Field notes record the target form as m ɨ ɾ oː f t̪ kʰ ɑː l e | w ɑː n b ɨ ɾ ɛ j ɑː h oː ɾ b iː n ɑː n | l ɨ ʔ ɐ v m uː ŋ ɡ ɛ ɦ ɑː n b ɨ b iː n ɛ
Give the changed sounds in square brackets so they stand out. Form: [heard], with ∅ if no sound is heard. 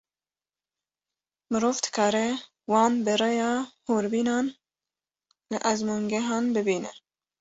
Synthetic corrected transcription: m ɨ ɾ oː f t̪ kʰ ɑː [ɾ] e | w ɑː n b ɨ ɾ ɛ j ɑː h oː ɾ b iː n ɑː n | l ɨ ʔ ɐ [z] m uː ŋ ɡ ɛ ɦ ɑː n b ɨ b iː n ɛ